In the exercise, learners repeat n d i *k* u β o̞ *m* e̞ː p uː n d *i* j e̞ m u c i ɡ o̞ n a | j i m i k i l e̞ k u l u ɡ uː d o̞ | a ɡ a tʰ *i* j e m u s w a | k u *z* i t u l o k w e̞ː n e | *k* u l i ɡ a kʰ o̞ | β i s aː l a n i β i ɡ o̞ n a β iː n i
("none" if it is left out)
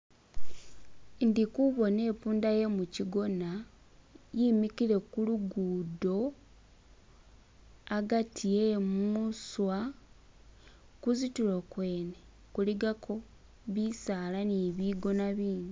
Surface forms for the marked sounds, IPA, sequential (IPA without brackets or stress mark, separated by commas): k, n, a, i, z, k